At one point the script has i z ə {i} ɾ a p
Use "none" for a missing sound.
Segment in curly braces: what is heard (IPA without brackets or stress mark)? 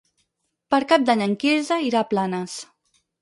i